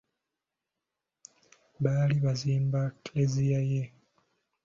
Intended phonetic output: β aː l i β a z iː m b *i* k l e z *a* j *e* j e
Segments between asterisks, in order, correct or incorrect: incorrect: a, incorrect: i, incorrect: a

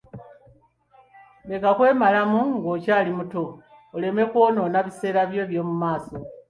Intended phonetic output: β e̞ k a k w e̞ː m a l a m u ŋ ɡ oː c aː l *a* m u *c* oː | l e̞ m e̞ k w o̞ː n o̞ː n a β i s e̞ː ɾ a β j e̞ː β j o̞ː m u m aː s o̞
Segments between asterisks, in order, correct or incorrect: incorrect: i, incorrect: t

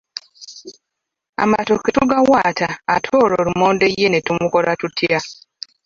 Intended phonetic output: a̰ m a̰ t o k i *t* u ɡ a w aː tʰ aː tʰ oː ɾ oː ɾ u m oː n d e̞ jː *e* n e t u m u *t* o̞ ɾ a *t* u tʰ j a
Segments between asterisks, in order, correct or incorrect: correct, correct, incorrect: k, correct

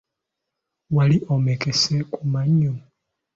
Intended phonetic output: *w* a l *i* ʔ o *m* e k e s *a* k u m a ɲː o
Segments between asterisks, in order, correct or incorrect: correct, correct, correct, incorrect: e

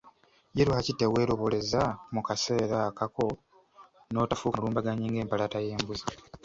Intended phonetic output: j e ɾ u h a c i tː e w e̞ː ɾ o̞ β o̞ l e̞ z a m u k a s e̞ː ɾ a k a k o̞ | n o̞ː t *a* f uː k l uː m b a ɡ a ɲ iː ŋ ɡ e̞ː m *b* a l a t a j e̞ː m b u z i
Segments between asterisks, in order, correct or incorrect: correct, incorrect: p

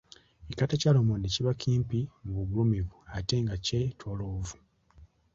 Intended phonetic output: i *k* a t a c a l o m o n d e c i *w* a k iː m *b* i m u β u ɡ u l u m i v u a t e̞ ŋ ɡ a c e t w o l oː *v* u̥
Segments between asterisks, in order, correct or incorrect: correct, incorrect: β, incorrect: p, correct

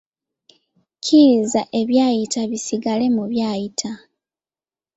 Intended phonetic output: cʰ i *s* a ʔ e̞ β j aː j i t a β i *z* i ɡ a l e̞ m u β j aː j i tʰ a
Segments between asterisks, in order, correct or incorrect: incorrect: z, incorrect: s

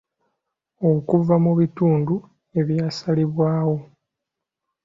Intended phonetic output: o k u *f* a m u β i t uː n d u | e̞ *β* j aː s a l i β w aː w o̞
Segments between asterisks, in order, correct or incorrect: incorrect: v, correct

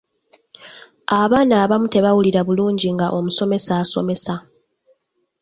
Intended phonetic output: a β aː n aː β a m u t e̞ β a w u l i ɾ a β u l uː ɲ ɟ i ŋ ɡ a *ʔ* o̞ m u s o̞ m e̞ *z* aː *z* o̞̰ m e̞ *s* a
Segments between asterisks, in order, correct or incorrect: correct, incorrect: s, incorrect: s, correct

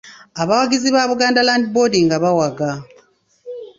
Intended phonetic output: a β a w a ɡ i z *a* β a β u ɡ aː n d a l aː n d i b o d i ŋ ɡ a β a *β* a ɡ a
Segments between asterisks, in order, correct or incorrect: incorrect: i, incorrect: w

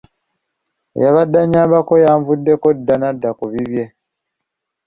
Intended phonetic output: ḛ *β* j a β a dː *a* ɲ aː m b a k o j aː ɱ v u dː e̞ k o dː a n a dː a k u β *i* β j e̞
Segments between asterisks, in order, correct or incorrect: incorrect: none, correct, correct

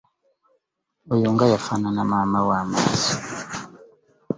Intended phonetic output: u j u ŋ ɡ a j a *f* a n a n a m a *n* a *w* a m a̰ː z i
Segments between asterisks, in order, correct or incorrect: correct, incorrect: m, correct

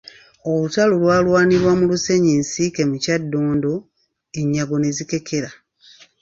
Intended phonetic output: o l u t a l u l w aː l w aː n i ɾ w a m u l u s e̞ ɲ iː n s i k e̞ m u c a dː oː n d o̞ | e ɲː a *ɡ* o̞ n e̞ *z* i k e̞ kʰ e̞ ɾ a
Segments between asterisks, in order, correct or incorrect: correct, correct

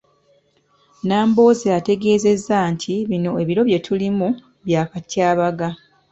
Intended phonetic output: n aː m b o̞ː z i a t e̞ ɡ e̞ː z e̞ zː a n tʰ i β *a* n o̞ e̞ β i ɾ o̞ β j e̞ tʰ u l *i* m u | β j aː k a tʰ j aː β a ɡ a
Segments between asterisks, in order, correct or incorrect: incorrect: i, correct

